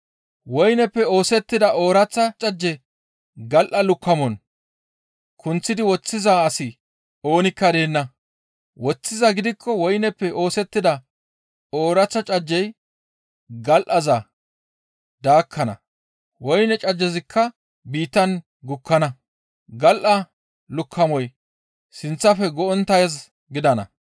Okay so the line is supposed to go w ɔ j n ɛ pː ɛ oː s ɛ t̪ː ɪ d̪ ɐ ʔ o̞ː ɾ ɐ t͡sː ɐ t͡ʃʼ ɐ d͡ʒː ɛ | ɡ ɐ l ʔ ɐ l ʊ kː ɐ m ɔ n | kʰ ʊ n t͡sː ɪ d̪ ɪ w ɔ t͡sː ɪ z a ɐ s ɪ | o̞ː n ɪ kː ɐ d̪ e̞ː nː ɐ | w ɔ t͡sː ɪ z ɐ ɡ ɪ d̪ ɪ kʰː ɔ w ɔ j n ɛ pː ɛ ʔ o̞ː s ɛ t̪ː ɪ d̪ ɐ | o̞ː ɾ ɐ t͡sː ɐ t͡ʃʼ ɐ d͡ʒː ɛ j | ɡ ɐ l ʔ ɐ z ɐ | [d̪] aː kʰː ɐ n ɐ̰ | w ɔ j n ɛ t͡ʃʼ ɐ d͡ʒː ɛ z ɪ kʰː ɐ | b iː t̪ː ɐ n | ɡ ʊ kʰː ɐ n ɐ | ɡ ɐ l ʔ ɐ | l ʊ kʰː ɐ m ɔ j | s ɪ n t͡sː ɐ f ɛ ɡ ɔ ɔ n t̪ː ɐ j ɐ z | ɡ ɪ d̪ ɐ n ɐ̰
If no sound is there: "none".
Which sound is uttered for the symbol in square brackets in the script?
d̪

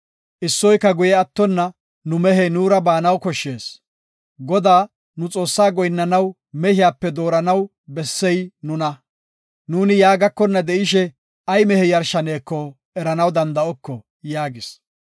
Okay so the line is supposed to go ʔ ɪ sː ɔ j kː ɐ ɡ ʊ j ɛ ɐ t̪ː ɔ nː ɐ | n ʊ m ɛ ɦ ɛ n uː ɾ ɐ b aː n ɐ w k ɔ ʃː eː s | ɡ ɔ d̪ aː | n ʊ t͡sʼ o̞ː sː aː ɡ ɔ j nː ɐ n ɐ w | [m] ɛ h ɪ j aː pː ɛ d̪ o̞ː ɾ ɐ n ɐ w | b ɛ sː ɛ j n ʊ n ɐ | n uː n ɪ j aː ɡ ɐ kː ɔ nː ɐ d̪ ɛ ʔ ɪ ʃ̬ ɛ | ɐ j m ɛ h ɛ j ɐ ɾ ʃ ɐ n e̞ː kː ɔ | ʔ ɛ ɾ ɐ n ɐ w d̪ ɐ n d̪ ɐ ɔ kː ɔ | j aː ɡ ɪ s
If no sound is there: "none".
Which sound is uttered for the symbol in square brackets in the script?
m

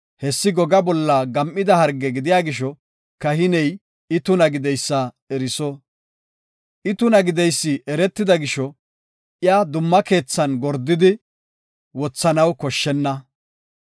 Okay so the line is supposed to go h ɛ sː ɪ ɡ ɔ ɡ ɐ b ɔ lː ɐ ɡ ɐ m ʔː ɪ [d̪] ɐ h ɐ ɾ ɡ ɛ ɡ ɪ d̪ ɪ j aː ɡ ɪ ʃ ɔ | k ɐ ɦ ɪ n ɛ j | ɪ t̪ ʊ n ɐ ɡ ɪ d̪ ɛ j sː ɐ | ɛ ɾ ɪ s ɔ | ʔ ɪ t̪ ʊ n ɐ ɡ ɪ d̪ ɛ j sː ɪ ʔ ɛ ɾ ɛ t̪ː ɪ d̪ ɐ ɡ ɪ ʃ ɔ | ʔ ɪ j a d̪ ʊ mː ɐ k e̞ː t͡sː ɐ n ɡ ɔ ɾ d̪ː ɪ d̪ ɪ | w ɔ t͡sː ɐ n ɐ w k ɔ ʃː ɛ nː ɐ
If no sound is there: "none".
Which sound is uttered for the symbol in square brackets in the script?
d̪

